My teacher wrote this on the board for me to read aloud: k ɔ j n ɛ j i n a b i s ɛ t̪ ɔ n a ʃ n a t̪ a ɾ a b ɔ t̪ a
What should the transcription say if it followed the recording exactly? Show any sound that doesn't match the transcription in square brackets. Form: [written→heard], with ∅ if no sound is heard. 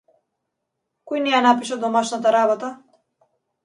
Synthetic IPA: k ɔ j n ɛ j [i→a] n a [b→p] i [s→ʃ] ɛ [t̪→d̪] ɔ [n→m] a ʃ n a t̪ a ɾ a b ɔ t̪ a